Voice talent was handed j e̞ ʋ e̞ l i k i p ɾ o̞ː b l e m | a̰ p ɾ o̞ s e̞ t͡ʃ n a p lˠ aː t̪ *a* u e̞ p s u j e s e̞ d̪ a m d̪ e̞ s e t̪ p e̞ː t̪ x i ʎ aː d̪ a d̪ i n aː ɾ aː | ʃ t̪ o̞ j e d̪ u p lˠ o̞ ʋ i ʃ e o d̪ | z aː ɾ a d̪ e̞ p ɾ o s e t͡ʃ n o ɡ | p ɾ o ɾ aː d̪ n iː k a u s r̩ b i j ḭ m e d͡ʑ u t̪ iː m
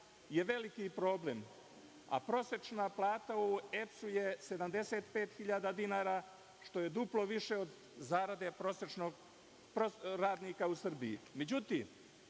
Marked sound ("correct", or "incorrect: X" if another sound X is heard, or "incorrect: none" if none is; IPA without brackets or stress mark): correct